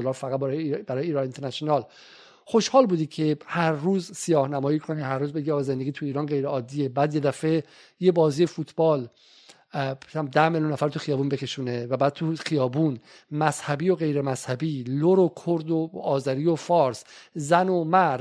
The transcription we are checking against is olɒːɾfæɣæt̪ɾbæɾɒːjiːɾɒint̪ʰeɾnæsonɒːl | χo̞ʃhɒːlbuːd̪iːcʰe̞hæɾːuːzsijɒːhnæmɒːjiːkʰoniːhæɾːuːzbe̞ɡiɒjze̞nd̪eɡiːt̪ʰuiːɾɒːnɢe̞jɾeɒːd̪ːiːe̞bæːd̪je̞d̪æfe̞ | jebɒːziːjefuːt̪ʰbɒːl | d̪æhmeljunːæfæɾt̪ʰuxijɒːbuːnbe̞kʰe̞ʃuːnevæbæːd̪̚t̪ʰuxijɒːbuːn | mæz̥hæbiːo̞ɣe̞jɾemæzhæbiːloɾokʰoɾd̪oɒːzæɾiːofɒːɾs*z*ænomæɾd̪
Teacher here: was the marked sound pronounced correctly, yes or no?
yes